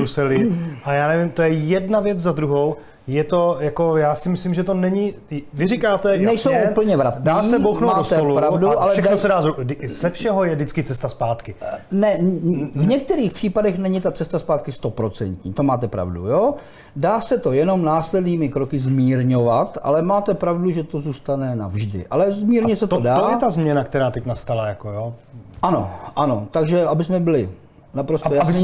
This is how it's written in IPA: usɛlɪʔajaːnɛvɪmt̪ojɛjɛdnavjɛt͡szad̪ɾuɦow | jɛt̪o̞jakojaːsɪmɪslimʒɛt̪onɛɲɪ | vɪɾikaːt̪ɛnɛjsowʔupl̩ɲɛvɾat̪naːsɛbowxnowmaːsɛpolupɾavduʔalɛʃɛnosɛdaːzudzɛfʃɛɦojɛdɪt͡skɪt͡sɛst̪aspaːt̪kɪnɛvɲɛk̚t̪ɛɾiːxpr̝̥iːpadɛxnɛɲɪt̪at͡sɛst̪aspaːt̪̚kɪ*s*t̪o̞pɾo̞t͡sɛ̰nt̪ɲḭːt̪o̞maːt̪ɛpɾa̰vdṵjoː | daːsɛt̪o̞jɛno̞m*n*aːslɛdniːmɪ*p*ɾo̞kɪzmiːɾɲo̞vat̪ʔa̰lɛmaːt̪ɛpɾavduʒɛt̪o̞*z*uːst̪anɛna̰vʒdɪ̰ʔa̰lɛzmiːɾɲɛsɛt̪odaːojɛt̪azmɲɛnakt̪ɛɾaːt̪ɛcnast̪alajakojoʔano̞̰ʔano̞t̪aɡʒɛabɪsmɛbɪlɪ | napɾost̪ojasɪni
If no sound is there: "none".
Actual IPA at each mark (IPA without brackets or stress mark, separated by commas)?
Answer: s, n, k, z